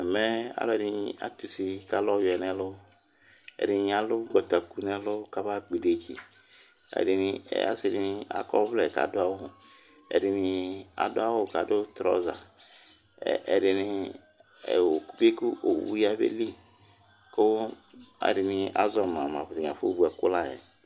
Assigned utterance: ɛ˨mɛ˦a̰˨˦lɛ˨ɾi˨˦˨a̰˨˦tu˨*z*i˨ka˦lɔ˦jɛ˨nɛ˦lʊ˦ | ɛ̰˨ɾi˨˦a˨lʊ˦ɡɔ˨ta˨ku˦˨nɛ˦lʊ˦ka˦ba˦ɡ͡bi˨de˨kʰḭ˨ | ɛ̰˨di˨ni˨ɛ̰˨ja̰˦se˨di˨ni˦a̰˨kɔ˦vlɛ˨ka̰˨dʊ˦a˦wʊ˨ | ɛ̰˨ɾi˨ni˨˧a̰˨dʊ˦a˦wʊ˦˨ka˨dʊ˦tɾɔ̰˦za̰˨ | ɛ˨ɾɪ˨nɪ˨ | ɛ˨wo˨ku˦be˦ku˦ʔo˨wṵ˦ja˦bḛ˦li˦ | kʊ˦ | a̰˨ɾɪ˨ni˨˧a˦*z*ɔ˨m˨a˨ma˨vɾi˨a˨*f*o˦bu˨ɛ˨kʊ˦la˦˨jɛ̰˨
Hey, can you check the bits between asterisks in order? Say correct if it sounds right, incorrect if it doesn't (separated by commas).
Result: incorrect, correct, correct